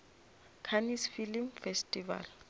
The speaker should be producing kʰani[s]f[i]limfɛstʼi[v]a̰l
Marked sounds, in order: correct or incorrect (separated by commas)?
correct, correct, correct